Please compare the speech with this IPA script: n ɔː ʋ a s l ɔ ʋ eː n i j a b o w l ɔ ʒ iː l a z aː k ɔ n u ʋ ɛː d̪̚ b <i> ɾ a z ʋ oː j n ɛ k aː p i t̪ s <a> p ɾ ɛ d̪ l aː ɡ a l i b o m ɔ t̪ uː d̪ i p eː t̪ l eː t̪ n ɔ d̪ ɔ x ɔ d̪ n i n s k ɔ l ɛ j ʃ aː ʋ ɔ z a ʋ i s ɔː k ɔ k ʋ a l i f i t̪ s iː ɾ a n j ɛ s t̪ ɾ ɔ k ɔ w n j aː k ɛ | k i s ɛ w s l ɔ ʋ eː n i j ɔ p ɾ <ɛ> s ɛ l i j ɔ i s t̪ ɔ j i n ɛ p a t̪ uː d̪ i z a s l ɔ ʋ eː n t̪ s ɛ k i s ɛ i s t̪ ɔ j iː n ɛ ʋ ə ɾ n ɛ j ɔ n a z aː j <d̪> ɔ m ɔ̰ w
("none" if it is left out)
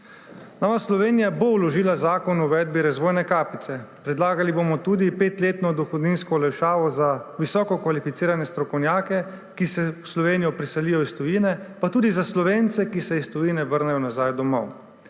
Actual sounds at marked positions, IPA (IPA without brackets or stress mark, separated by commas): i, ɛ, i, d̪